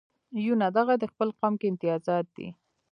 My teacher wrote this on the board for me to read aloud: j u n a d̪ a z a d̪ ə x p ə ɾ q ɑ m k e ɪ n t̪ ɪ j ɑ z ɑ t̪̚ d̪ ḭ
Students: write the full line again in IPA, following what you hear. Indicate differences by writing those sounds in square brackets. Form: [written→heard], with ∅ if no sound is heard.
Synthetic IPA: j u n a d̪ a [z→ɣ] a d̪ ə x p ə [ɾ→l] q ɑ m k e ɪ n t̪ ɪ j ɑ z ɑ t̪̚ d̪ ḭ